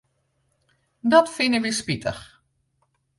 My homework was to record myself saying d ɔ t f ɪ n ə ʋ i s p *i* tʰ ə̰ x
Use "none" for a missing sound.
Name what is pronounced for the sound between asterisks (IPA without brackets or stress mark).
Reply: i